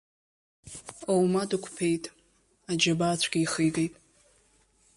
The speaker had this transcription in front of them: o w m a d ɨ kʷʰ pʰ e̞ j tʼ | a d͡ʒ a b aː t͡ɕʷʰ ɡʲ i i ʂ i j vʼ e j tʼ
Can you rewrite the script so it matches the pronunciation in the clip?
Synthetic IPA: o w m a d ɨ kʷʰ pʰ e̞ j tʼ | a d͡ʒ a b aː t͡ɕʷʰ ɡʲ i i χ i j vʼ e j tʼ